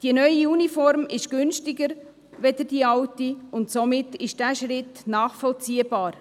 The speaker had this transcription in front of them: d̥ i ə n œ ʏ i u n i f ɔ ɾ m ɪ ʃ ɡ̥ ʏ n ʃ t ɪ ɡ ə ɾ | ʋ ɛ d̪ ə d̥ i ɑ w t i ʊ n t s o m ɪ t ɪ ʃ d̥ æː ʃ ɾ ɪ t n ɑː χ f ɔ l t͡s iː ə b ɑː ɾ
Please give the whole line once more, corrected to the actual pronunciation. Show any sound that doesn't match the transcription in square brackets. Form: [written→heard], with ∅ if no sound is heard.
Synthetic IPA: d̥ i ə n œ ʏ i u n i f ɔ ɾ m ɪ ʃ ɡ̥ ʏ n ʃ t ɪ ɡ ə ɾ | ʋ ɛ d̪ ə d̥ i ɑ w t i ʊ n t s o m ɪ t ɪ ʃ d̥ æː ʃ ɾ ɪ t n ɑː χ f ɔ l t͡s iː ə b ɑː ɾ